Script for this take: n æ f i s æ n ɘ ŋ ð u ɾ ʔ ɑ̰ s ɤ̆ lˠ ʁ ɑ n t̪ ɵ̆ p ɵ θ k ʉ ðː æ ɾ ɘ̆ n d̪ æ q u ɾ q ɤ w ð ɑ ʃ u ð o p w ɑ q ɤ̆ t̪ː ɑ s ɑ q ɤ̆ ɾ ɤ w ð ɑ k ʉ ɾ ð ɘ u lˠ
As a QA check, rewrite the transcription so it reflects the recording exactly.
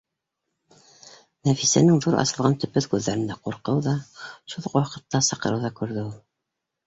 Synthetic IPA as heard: n æ f i s æ n ɘ ŋ ð u ɾ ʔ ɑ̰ s ɤ̆ lˠ ʁ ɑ n t̪ ɵ̆ p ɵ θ k ʉ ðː æ ɾ ɘ̆ n d̪ æ q u ɾ q ɤ w ð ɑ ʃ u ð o q w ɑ q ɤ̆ t̪ː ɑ s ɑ q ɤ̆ ɾ ɤ w ð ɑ k ʉ ɾ ð ɘ u lˠ